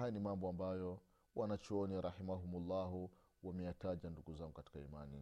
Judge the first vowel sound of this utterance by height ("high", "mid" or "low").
low